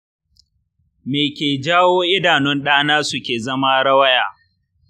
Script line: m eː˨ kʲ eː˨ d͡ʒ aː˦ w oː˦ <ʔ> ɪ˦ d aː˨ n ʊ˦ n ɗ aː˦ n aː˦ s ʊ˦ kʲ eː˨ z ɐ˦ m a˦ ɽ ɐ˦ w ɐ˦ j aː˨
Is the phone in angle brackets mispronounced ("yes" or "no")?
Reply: no